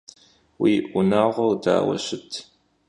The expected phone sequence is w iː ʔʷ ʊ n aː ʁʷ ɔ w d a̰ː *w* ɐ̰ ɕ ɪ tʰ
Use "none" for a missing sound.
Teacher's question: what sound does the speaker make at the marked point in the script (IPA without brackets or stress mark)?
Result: w